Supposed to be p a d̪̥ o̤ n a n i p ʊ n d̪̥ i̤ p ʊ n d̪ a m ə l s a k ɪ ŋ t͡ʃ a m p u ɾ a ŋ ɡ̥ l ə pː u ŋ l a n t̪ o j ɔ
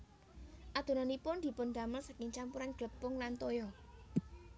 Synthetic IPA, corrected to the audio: ʔ a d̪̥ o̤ n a n i p ʊ n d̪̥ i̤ p ʊ n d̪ a m ə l s a k ɪ ŋ t͡ʃ a m p u ɾ a n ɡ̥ l ə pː ʊ ŋ l a n t̪ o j ɔ